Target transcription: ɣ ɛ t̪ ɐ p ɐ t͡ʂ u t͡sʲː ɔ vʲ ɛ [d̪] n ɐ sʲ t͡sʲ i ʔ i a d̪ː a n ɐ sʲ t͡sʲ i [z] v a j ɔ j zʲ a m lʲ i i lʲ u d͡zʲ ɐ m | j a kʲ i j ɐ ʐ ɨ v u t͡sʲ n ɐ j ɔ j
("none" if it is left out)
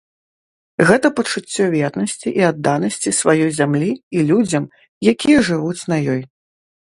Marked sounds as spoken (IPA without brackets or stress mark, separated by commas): t̪, s